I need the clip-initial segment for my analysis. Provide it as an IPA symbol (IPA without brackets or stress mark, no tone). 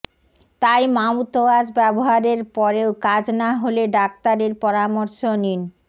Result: t̪